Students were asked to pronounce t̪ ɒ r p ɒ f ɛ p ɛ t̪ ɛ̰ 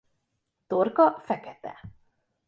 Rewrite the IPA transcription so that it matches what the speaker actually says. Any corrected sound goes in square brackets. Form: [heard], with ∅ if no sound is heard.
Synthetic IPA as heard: t̪ [o] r [k] ɒ f ɛ [k] ɛ t̪ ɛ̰